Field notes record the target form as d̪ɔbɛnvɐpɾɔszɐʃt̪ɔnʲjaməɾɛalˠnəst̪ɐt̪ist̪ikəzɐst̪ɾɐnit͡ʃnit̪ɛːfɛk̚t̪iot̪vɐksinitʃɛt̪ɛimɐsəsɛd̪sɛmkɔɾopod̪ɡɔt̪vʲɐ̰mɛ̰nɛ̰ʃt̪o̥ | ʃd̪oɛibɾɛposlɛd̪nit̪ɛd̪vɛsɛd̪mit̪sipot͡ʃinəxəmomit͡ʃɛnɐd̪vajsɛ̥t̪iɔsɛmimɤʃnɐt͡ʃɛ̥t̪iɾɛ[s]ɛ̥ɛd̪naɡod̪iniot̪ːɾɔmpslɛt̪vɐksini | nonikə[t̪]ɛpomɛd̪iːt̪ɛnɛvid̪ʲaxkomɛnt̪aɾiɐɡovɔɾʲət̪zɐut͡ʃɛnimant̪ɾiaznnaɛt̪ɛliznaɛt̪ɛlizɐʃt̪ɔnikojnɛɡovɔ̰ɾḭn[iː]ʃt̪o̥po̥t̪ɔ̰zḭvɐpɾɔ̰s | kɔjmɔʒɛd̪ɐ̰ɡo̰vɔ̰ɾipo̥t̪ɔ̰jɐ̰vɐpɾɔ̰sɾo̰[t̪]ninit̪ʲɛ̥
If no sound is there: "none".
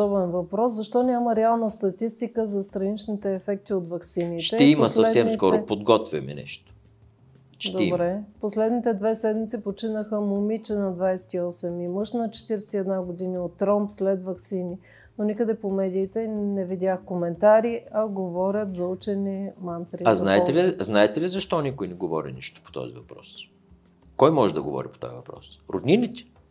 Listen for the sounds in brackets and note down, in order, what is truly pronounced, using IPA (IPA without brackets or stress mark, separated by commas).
s, d̪, i, d̪